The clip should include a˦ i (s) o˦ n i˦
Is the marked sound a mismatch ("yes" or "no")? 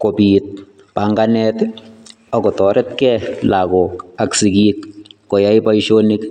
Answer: yes